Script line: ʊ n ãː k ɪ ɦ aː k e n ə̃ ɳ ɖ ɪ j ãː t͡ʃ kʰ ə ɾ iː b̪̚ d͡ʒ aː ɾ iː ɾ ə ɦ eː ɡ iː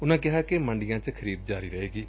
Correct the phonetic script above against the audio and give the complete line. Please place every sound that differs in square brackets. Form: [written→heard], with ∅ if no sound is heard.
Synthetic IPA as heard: ʊ n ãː k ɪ ɦ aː k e [n→m] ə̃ ɳ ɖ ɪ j ãː t͡ʃ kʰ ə ɾ iː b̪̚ d͡ʒ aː ɾ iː ɾ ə ɦ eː ɡ iː